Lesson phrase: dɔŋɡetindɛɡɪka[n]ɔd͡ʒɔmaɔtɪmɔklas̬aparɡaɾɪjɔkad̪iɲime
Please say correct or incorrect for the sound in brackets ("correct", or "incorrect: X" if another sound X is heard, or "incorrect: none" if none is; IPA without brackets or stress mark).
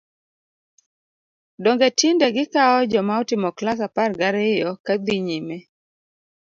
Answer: incorrect: none